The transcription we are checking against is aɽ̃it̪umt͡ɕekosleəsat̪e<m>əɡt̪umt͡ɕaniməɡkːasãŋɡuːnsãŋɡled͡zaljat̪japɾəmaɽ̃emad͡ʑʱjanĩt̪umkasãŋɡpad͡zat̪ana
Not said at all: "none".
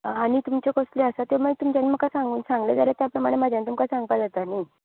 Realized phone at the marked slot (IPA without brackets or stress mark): m